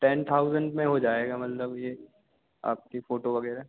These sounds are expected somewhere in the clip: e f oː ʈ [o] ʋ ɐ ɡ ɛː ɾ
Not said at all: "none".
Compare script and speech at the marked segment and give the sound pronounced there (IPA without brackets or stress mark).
o